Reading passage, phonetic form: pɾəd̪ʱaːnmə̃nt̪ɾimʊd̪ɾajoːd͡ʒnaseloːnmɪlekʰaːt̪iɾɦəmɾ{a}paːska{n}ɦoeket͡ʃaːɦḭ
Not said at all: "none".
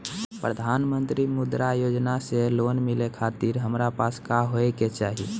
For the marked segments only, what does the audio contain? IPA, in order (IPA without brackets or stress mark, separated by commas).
a, none